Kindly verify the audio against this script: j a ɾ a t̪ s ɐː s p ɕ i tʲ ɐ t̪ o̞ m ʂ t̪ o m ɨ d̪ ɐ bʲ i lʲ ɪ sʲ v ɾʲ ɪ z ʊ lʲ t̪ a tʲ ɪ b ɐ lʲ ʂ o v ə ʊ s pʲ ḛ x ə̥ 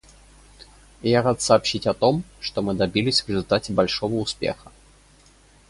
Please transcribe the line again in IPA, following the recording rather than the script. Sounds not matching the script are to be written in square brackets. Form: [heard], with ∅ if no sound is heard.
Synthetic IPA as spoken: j a ɾ a t̪ s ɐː [∅] p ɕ i tʲ ɐ t̪ o̞ m ʂ t̪ o m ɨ d̪ ɐ bʲ i lʲ ɪ sʲ v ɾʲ ɪ z ʊ lʲ t̪ a tʲ ɪ b ɐ lʲ ʂ o v ə ʊ s pʲ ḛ x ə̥